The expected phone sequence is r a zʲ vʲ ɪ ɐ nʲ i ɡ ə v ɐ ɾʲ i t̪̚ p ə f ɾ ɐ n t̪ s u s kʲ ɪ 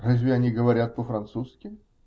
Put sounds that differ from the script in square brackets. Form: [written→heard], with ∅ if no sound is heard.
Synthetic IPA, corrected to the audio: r a zʲ vʲ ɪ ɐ nʲ i ɡ ə v ɐ ɾʲ [i→a] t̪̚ p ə f ɾ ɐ n t̪ s u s kʲ ɪ

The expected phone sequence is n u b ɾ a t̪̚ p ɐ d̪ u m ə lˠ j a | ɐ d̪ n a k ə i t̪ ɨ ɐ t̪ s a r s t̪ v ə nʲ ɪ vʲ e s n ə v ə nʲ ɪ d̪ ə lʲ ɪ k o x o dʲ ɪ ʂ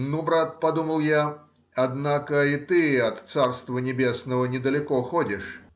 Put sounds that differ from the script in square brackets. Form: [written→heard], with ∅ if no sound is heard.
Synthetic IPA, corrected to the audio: n u b ɾ a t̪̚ p ɐ d̪ u m ə lˠ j a | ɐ d̪ n a k ə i t̪ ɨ ɐ t̪ s a r s t̪ v ə nʲ ɪ [vʲ→bʲ] e s n ə v ə nʲ ɪ d̪ ə lʲ ɪ k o x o dʲ ɪ ʂ

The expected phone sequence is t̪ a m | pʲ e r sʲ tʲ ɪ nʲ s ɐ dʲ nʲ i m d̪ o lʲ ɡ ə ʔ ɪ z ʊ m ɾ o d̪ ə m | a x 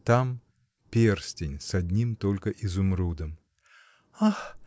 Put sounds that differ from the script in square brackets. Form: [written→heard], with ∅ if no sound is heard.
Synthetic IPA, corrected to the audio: t̪ a m | pʲ e r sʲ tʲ ɪ nʲ s ɐ dʲ nʲ i m [d̪→t̪] o lʲ [ɡ→k] ə ʔ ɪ z ʊ m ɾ [o→u] d̪ ə m | a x

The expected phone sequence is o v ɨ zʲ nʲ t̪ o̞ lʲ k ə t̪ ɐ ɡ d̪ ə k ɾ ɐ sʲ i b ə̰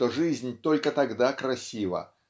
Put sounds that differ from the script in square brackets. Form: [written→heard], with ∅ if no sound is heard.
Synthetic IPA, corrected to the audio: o [v→ʐ] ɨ zʲ nʲ t̪ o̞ lʲ k ə t̪ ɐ ɡ d̪ [ə→a] k ɾ ɐ sʲ i [b→v] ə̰

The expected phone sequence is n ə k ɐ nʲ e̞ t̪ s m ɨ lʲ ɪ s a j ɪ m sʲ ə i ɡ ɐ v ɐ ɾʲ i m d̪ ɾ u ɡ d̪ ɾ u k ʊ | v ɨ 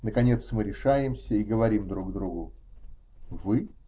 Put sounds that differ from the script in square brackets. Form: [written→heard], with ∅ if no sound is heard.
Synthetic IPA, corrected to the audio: n ə k ɐ nʲ e̞ t̪ s m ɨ [lʲ→ɾʲ] ɪ [s→ʂ] a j ɪ m sʲ ə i ɡ [ɐ→ə] v ɐ ɾʲ i m d̪ ɾ u ɡ d̪ ɾ u [k→ɡ] ʊ | v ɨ

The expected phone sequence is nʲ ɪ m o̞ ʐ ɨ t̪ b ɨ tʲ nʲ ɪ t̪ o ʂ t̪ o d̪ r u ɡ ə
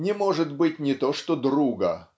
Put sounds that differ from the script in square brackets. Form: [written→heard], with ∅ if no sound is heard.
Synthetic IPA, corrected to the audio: nʲ ɪ m o̞ ʐ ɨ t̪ b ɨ tʲ nʲ ɪ t̪ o ʂ t̪ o d̪ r u ɡ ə

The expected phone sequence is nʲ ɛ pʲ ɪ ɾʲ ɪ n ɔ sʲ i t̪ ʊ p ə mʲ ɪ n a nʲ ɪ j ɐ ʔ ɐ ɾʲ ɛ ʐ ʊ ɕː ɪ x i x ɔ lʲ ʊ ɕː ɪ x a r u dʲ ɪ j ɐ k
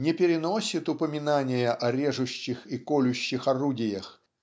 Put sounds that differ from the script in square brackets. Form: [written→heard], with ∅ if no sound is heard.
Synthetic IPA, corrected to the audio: nʲ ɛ pʲ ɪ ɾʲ ɪ n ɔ sʲ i t̪ ʊ p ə mʲ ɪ n a nʲ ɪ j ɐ ʔ ɐ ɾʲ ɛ ʐ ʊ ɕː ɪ x i [x→k] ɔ lʲ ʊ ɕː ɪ x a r u dʲ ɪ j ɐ [k→x]

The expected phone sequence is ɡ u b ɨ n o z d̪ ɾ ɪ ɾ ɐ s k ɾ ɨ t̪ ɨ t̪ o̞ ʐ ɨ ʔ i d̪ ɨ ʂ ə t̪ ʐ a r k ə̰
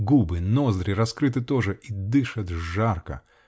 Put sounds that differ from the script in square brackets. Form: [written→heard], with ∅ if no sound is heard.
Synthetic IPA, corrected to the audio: ɡ u b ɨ n o z d̪ ɾ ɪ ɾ ɐ s k ɾ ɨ t̪ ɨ t̪ o̞ ʐ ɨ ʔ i d̪ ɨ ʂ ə t̪ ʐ a r k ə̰

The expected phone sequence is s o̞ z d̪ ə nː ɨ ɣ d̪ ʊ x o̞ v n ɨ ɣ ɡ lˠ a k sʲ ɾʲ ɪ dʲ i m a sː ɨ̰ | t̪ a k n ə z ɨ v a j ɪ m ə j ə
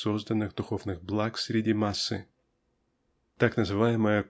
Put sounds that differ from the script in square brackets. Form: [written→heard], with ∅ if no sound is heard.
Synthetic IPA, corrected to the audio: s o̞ z d̪ ə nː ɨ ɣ d̪ ʊ x o̞ v n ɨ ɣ [ɡ→b] lˠ a k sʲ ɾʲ ɪ dʲ i m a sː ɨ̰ | t̪ a k n ə z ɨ v a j ɪ m ə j ə

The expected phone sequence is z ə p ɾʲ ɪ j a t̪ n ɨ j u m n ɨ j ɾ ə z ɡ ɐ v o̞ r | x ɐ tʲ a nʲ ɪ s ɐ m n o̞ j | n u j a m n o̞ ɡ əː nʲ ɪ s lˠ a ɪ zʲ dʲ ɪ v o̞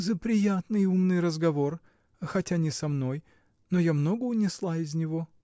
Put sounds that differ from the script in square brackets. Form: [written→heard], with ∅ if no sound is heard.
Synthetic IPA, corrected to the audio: z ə p ɾʲ ɪ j a t̪ n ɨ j u m n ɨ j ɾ ə z ɡ ɐ v o̞ r | x ɐ tʲ a nʲ ɪ s ɐ m n o̞ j | n [u→o] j a m n o̞ ɡ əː nʲ ɪ s lˠ a ɪ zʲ [dʲ→nʲ] ɪ v o̞

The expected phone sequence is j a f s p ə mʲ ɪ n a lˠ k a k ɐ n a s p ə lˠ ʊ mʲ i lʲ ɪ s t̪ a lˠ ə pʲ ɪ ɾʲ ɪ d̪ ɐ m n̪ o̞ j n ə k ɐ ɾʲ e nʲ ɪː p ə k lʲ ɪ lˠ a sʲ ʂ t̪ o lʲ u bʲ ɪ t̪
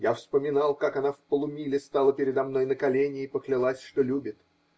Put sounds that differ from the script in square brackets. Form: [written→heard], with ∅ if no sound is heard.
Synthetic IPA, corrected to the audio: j a f s p ə mʲ ɪ n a lˠ k a k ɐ n a [s→f] p ə lˠ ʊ mʲ i lʲ ɪ s t̪ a lˠ ə pʲ ɪ ɾʲ ɪ d̪ ɐ m n̪ o̞ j n ə k ɐ [ɾʲ→lʲ] e nʲ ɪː p ə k lʲ ɪ lˠ a sʲ ʂ t̪ o lʲ u bʲ ɪ t̪

